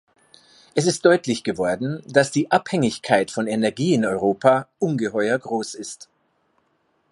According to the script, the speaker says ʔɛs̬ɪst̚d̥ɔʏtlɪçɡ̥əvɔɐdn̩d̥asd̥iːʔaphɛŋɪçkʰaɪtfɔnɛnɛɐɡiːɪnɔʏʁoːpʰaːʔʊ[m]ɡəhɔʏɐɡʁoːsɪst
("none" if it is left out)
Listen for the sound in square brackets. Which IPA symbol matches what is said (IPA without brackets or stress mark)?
n